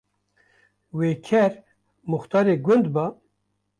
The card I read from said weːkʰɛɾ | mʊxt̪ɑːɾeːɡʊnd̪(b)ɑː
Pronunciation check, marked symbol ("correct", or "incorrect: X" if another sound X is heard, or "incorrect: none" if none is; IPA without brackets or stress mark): correct